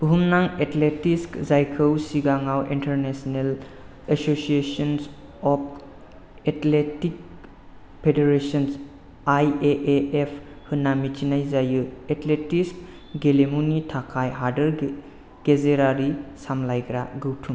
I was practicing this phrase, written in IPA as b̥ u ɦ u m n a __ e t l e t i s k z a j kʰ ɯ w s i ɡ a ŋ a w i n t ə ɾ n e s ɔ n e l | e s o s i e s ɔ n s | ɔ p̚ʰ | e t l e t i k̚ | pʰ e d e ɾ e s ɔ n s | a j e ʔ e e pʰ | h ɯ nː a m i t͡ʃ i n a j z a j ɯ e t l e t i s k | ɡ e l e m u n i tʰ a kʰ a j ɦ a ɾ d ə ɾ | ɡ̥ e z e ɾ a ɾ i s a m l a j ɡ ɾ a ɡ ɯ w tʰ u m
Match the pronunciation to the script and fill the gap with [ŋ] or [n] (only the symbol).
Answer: ŋ